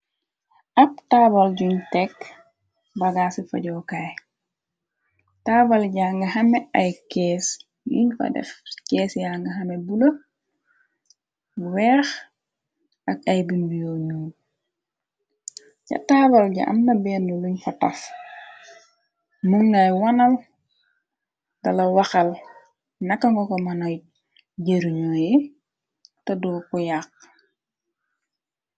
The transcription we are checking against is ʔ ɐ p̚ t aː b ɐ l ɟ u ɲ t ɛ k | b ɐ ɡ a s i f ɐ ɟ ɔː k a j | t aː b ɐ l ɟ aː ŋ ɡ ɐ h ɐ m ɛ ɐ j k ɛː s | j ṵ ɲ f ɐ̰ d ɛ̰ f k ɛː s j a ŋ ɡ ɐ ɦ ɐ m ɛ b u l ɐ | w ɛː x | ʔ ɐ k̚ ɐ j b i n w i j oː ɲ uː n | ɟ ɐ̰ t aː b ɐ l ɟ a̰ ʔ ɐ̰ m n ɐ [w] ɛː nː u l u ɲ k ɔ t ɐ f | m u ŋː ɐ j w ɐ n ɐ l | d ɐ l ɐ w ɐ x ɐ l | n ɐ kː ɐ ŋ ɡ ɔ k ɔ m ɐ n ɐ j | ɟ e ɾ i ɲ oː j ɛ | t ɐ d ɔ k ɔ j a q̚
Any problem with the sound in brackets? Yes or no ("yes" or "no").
yes